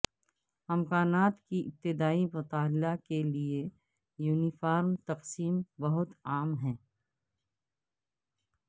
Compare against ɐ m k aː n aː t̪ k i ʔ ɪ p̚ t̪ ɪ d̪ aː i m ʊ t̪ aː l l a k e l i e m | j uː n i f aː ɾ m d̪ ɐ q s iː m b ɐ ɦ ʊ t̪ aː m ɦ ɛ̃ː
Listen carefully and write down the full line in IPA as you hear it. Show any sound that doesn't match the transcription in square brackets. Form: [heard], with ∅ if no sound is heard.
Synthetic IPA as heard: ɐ m k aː n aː t̪ k i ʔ ɪ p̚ t̪ ɪ d̪ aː i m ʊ t̪ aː l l a k e l i e [∅] | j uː n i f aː ɾ m [t̪] ɐ q s iː m b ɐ ɦ ʊ t̪ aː m ɦ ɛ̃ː